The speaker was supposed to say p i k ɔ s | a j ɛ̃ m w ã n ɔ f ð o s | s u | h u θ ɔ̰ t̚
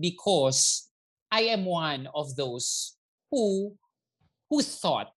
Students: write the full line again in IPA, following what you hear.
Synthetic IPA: b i kʰ ɔ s | a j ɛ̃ m w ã n ɔ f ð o s | h u | h u θ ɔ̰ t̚